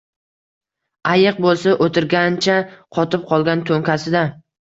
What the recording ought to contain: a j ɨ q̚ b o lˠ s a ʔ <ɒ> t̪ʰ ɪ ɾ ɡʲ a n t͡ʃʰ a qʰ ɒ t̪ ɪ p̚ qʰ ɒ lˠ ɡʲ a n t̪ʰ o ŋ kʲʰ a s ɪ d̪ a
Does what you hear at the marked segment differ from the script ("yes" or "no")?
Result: yes